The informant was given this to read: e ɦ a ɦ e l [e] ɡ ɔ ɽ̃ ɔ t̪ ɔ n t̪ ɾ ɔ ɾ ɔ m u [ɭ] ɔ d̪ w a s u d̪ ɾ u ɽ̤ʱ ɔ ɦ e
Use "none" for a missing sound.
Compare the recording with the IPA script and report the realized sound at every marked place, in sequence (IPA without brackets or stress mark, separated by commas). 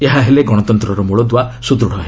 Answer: e, ɭ